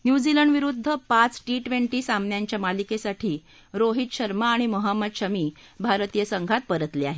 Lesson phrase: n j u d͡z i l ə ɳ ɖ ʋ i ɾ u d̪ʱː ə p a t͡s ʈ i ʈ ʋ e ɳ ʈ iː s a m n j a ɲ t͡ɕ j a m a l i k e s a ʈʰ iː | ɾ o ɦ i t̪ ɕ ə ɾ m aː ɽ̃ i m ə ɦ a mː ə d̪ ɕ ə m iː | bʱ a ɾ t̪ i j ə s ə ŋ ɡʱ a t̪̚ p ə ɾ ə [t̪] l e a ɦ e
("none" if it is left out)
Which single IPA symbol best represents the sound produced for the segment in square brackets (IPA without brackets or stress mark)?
t̪